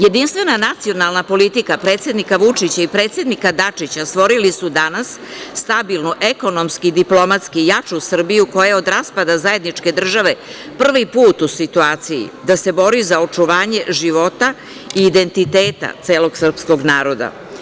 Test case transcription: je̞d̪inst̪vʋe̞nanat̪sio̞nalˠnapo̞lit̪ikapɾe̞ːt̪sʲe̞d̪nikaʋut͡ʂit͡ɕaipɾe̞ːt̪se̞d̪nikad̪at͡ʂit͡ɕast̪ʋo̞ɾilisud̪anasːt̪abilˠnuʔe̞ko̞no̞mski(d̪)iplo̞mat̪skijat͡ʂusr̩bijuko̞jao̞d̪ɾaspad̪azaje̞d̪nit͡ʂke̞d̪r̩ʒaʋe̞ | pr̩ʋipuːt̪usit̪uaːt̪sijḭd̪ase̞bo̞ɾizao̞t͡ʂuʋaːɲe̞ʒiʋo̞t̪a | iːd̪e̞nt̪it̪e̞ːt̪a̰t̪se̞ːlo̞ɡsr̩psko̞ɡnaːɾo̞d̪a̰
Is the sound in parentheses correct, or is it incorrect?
correct